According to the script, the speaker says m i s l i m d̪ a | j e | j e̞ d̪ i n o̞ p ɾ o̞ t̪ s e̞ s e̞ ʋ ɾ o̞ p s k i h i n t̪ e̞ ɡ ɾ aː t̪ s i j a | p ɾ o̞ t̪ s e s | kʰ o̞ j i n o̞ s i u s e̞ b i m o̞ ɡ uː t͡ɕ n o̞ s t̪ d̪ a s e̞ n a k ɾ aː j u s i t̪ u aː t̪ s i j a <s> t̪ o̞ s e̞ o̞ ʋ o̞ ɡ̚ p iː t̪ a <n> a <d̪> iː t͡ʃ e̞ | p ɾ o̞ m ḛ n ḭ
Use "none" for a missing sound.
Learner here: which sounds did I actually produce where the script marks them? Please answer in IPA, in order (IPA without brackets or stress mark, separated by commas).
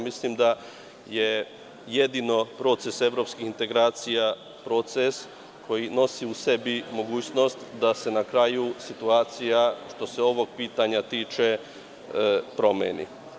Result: ʃ, ɲ, t̪